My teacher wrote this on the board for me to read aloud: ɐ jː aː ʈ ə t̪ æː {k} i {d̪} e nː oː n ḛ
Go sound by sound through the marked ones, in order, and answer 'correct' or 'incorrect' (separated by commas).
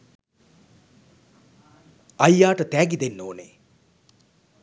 incorrect, correct